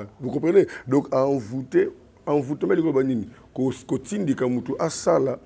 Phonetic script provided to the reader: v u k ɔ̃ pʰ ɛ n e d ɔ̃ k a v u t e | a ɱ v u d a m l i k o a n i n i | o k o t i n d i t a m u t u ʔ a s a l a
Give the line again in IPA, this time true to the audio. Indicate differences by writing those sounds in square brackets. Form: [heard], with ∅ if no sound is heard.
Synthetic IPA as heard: v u k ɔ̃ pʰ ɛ n e d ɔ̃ k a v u t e | a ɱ v u [t] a m l i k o a n i n i | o k o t i n d i [k] a m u t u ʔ a s a l a